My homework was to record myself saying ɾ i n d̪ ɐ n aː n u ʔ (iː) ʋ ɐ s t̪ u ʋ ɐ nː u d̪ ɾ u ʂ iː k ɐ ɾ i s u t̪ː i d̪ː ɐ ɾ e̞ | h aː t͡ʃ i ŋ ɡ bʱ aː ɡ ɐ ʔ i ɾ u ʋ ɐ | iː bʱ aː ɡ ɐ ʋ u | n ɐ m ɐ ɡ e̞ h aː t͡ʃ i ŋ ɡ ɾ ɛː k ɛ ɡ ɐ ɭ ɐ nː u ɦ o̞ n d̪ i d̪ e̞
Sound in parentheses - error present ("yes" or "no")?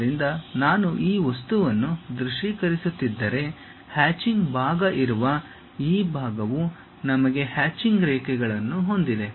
no